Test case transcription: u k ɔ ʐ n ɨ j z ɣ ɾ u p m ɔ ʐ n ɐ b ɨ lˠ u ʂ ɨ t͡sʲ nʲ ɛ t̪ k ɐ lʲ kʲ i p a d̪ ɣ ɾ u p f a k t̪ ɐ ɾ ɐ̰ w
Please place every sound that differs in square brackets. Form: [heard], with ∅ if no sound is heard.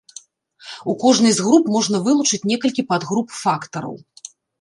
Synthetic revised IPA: u k ɔ ʐ n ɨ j z ɣ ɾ u p m ɔ ʐ n ɐ [v] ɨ lˠ u [t͡ʂ] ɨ t͡sʲ nʲ ɛ [∅] k ɐ lʲ kʲ i p a d̪ ɣ ɾ u p f a k t̪ ɐ ɾ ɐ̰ w